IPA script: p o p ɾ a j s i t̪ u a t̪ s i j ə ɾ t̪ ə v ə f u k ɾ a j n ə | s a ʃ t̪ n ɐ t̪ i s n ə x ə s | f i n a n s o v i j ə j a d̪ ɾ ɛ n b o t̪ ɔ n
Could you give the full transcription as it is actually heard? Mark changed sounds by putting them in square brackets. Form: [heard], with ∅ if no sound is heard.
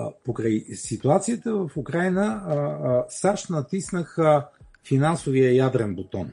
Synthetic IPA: p o [k] ɾ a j s i t̪ u a t̪ s i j ə [∅] t̪ ə v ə f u k ɾ a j n ə | s a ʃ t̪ n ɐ t̪ i s n ə x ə [∅] | f i n a n s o v i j ə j a d̪ ɾ ɛ n b o t̪ ɔ n